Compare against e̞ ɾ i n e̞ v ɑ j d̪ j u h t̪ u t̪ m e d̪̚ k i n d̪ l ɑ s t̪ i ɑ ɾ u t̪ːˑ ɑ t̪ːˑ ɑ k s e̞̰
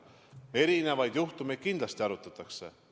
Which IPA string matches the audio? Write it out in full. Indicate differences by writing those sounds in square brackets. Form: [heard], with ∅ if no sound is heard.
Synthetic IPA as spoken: e̞ ɾ i n e̞ v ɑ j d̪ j u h t̪ u [∅] m e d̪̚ k i n d̪ l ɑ s t̪ i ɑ ɾ u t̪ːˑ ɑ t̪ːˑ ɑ k s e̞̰